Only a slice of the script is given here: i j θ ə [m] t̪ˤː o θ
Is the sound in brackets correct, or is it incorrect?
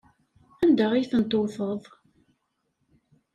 incorrect